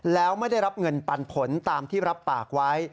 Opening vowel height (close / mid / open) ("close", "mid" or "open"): mid